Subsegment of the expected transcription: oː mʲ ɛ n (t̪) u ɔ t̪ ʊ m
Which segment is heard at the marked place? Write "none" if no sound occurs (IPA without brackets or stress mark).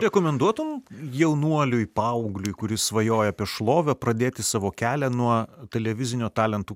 d̪